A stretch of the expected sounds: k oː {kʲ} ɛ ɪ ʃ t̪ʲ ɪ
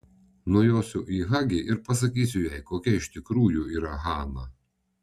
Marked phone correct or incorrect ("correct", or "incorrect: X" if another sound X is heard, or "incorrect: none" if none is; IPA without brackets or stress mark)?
correct